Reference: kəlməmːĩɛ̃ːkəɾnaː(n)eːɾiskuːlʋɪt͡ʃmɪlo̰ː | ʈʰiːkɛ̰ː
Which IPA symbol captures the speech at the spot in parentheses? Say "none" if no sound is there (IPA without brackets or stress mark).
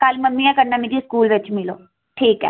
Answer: m